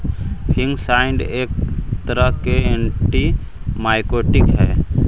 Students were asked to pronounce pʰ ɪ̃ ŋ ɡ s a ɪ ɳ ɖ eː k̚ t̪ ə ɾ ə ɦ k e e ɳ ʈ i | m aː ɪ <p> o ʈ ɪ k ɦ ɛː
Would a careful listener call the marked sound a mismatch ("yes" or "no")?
yes